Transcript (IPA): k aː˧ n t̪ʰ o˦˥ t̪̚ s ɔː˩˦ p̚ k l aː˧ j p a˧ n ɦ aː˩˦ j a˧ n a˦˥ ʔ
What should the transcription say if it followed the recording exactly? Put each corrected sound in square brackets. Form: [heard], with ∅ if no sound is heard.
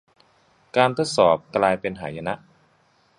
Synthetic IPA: k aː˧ n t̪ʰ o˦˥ t̪̚ s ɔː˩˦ p̚ k l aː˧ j p [e˧] n ɦ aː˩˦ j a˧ n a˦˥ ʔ